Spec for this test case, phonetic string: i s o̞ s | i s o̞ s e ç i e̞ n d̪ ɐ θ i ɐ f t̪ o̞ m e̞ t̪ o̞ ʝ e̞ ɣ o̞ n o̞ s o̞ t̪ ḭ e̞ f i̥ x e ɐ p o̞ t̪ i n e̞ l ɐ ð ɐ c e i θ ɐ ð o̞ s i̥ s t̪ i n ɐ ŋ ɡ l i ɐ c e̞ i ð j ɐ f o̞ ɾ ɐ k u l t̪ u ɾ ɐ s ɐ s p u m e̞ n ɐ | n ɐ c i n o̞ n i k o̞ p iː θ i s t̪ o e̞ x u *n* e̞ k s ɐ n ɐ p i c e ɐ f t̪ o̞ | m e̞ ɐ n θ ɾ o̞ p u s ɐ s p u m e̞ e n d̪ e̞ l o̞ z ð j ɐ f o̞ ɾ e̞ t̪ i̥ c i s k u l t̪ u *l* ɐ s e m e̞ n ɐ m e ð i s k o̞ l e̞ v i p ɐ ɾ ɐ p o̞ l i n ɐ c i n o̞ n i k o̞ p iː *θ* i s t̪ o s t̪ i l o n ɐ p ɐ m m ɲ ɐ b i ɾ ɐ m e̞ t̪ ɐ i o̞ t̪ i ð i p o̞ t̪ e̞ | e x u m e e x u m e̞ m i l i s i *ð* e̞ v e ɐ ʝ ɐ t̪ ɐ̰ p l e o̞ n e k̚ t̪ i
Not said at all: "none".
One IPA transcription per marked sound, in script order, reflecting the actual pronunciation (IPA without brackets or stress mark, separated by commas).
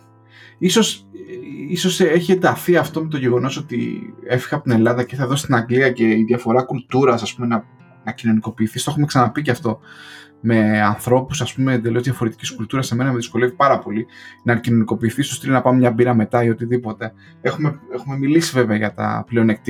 m, ɾ, θ, v